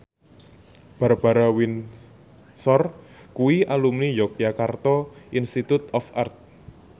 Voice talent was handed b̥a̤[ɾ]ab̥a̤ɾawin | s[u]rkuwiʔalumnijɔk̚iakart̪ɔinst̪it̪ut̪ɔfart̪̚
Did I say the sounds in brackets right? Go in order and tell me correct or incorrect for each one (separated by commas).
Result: correct, incorrect